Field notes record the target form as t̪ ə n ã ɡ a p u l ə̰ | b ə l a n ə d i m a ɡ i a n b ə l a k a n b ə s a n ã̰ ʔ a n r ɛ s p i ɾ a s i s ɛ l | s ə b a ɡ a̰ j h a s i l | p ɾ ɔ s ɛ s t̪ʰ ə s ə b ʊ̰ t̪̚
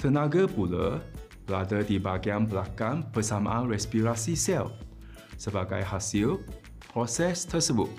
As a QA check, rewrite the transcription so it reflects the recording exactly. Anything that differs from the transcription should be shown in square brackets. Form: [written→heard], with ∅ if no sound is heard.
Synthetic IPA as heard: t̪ ə n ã ɡ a p u l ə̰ | b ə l a [n→d] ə d i [m→b] a ɡ i a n b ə l a k a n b ə s a [n→m] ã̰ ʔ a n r ɛ s p i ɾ a s i s ɛ l | s ə b a ɡ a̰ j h a s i l | p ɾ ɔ s ɛ s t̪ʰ ə s ə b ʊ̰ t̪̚